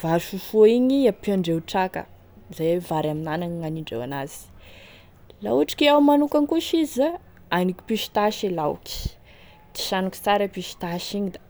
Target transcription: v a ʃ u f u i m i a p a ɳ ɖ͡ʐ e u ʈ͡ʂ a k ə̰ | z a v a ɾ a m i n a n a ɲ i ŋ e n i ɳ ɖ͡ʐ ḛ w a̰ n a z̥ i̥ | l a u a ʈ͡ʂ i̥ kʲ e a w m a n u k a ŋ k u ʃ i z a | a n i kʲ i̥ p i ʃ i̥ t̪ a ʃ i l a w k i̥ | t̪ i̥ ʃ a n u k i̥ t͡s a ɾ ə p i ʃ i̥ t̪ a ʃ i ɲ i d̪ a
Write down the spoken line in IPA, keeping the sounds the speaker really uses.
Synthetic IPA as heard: v a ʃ u f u i ɲ i a p a ɳ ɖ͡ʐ e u ʈ͡ʂ a k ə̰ | z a v a ɾ a m i n a n a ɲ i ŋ a n i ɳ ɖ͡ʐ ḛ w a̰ n a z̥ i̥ | l a u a ʈ͡ʂ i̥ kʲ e a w m a n u k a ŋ k u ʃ i z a | a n i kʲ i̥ p i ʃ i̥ t̪ a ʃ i l a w k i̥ | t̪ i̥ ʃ a n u k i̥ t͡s a ɾ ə p i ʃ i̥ t̪ a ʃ i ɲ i d̪ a